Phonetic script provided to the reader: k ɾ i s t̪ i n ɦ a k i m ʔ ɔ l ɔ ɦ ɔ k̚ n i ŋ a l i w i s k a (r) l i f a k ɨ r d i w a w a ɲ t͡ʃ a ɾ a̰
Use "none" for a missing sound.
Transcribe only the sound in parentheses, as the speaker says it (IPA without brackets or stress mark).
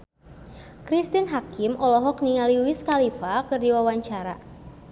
none